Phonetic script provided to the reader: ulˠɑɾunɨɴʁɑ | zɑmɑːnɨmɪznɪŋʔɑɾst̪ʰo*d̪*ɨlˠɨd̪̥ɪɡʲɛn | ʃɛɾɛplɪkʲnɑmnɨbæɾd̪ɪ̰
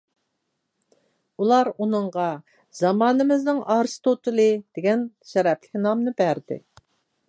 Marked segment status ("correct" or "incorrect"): incorrect